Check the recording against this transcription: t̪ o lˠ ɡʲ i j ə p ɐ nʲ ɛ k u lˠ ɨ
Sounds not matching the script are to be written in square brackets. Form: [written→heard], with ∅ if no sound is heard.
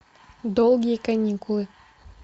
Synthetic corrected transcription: [t̪→d̪] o lˠ ɡʲ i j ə [p→k] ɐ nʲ [ɛ→i] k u lˠ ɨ